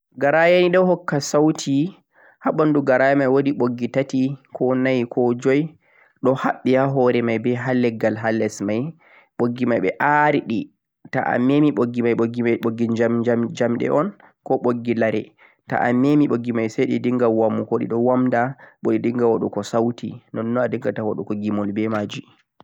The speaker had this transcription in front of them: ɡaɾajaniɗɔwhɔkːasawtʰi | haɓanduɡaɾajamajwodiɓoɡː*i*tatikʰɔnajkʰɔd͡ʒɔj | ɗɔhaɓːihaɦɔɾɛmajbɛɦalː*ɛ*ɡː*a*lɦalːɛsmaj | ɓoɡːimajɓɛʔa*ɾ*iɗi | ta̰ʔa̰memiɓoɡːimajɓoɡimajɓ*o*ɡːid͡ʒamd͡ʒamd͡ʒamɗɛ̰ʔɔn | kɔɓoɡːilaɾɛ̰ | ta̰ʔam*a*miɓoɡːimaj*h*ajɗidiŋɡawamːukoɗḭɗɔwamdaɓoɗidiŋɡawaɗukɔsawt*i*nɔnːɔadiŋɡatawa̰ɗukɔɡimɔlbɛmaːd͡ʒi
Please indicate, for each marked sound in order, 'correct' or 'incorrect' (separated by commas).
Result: correct, correct, correct, correct, correct, incorrect, incorrect, correct